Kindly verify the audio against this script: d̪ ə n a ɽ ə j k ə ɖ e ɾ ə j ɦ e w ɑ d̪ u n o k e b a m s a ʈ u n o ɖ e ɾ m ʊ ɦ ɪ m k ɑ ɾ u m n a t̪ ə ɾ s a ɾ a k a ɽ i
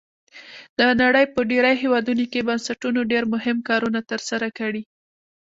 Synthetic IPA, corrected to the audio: d̪ ə n a ɽ ə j p ə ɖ e ɾ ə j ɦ e w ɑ d̪ u n o k e b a n s a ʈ u n o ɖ e ɾ m ʊ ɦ ɪ m k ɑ ɾ u n a t̪ ə ɾ s a ɾ a k a ɽ i

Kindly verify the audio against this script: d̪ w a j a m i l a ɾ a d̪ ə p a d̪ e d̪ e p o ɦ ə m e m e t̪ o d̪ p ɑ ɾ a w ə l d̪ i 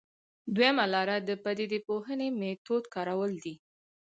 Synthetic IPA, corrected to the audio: d̪ w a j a m a l ɑ ɾ a d̪ ə p a d̪ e d̪ e p o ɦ ə n e m e t̪ o d̪ k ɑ ɾ a w ə l d̪ i

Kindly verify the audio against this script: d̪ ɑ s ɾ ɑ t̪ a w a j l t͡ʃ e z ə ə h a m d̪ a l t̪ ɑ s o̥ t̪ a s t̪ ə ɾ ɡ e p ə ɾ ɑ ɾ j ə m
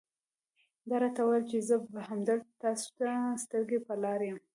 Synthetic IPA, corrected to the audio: d̪ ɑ ɾ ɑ t̪ a w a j l t͡ʃ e z ə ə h a m d̪ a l t̪ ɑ s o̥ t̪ a s t̪ ə ɾ ɡ e p ə l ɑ ɾ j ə m

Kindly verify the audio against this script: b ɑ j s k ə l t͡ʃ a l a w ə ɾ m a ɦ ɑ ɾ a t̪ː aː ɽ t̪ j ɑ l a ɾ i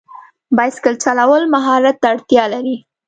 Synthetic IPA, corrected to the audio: b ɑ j s k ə l t͡ʃ a l a w ə l m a ɦ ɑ ɾ a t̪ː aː ɽ t̪ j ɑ l a ɾ i

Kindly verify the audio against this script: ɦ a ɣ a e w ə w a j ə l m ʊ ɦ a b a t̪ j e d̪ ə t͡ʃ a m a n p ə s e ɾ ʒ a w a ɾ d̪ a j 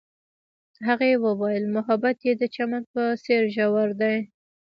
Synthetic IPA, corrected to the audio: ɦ a ɣ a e w ə w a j ə l m ʊ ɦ a b a t̪ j e d̪ ə t͡ʃ a m a n p ə s e ɾ ʒ a w a ɾ d̪ a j

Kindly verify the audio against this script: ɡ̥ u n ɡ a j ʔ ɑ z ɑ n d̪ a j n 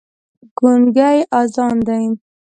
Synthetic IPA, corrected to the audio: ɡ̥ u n ɡ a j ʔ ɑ z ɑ n d̪ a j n

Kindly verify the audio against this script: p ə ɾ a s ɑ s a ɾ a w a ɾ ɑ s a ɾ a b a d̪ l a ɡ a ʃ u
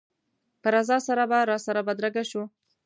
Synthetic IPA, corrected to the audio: p ə ɾ a z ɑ s a ɾ a b a ɾ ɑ s a ɾ a b a d̪ ɾ a ɡ a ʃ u

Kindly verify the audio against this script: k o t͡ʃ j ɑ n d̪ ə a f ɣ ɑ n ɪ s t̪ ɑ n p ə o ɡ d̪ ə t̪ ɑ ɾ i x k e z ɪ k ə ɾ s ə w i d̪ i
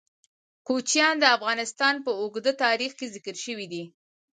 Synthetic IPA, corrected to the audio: k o t͡ʃ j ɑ n d̪ ə a f ɣ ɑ n ɪ s t̪ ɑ n p ə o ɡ d̪ ə t̪ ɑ ɾ i x k e z ɪ k ə ɾ ʃ ə w i d̪ i

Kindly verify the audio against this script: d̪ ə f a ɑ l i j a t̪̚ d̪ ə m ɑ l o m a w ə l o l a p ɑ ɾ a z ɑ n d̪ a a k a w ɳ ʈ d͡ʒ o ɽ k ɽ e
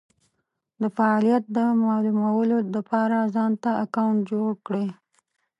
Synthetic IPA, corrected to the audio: d̪ ə f a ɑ l i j a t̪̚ d̪ ə m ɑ l u m a w ə l o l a p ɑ ɾ a z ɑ n t̪ a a k a w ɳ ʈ d͡ʒ o ɽ k ɽ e

